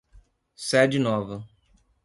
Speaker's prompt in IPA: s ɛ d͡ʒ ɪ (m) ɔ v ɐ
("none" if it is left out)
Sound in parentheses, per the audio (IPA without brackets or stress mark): n